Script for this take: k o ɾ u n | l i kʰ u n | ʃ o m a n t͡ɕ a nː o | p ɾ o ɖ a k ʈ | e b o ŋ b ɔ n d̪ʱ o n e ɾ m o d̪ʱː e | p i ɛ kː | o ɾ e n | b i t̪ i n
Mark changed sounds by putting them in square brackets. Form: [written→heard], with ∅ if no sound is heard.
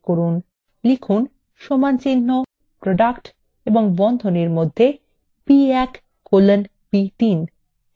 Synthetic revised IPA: k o ɾ u n | l i kʰ u n | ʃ o m a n t͡ɕ [a→i] nː o | p ɾ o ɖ a k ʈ | e b o ŋ b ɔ n d̪ʱ o n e ɾ m o d̪ʱː e | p i ɛ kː | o [ɾ→l] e n | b i t̪ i n